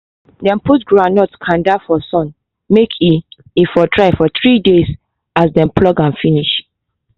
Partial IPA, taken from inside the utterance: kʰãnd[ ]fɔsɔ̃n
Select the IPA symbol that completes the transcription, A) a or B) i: A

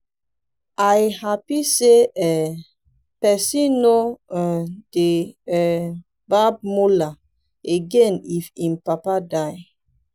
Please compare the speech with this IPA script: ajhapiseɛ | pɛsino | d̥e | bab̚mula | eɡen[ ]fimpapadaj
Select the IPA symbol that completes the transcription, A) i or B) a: A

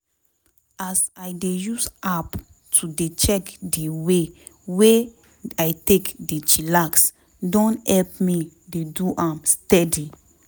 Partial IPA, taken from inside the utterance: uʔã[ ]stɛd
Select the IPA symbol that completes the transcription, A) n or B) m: B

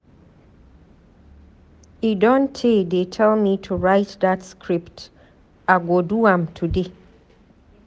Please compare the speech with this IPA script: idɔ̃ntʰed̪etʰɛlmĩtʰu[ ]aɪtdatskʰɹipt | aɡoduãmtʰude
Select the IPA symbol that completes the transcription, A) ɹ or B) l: A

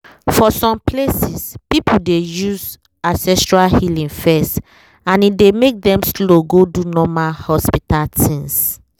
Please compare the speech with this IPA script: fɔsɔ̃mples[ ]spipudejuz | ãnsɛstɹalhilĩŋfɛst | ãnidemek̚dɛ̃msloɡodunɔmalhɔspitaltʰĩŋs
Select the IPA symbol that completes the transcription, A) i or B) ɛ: A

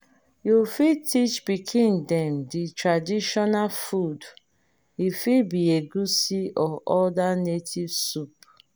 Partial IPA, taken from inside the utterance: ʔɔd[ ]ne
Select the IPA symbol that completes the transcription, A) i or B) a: B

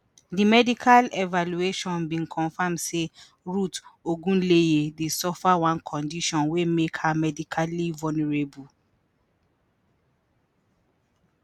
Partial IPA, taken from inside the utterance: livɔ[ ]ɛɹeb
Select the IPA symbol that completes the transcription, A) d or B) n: B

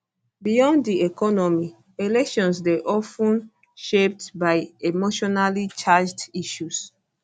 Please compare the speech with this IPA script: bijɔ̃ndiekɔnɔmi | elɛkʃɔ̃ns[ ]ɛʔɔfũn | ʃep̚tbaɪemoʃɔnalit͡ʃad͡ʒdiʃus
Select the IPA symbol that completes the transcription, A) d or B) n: A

